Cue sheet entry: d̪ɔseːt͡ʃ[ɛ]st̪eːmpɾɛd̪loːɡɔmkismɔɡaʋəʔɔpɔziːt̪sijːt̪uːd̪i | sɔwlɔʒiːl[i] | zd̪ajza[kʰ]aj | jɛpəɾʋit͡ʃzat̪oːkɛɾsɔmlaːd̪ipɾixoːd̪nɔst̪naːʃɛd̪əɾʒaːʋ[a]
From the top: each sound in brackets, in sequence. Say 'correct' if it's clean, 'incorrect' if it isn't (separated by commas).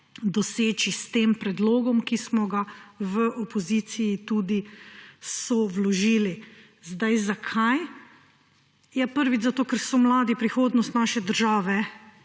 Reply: incorrect, correct, correct, incorrect